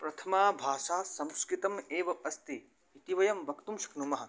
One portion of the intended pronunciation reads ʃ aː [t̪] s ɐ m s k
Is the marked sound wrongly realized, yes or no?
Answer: yes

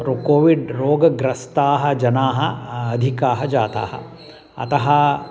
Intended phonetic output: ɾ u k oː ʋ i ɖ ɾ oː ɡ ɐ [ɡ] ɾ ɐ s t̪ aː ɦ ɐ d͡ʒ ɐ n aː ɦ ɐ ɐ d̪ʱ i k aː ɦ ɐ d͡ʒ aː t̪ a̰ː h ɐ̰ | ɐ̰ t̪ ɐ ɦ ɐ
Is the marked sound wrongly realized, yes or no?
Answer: no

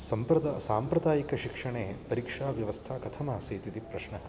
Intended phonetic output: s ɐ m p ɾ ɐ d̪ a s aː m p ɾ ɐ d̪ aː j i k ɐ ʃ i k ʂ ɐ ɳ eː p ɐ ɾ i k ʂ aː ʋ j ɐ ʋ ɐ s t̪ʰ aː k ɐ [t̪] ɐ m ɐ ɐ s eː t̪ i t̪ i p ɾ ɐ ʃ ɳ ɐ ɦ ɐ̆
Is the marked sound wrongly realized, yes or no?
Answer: yes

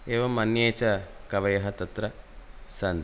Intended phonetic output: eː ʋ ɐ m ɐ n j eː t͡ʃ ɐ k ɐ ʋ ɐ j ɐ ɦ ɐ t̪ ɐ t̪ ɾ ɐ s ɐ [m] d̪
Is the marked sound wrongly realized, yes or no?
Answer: yes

